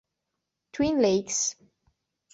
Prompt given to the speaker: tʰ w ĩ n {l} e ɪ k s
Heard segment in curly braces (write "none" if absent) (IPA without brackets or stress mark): l